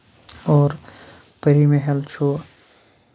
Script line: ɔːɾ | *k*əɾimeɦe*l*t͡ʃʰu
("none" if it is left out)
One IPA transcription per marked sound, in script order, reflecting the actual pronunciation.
p, l

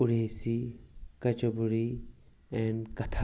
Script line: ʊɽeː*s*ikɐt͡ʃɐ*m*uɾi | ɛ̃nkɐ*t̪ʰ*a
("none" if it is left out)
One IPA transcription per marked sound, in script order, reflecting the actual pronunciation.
s, b, t̪ʰ

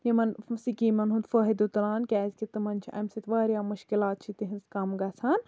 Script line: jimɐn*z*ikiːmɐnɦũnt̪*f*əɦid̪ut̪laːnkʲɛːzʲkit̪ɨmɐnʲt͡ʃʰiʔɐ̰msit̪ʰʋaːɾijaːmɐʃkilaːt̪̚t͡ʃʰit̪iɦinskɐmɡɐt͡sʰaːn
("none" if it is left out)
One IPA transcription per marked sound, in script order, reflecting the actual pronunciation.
s, f

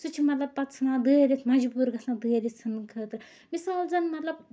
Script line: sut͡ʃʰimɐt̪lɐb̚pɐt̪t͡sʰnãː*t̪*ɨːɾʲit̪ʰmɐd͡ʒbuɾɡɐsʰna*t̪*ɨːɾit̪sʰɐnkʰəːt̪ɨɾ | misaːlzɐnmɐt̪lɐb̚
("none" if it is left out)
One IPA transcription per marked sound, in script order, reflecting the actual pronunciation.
d̪, d̪

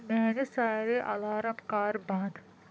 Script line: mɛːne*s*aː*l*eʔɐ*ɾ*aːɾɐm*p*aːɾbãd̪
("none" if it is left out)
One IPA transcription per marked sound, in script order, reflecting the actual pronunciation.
s, ɾ, l, k

